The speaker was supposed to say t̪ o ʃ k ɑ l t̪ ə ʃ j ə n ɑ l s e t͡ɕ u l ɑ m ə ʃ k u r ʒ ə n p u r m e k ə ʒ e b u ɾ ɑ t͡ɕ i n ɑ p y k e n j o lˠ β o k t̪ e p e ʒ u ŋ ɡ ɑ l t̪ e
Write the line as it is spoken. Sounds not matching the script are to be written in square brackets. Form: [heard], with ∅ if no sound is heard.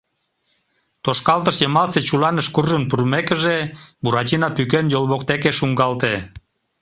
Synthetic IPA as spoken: t̪ o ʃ k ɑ l t̪ ə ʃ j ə [m] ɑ l s e t͡ɕ u l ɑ [n] ə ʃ k u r ʒ ə n p u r m e k ə ʒ e b u ɾ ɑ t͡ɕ i n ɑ p y k e n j o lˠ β o k t̪ e [k] e [ʃ] u ŋ ɡ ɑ l t̪ e